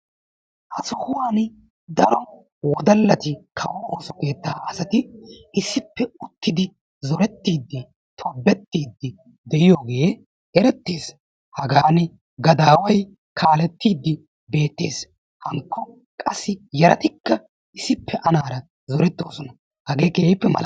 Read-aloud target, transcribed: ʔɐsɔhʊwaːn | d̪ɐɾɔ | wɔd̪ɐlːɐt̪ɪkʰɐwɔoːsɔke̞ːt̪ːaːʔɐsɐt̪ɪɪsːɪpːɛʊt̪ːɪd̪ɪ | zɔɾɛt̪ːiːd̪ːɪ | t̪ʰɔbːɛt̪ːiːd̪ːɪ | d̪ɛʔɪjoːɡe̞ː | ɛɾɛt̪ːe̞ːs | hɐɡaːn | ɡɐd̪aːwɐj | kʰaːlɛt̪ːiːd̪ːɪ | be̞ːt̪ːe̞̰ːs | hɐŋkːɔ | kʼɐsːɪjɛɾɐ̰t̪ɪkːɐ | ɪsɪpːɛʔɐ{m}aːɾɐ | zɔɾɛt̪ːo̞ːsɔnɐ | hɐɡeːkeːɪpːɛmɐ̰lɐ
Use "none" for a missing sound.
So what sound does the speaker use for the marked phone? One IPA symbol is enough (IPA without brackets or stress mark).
n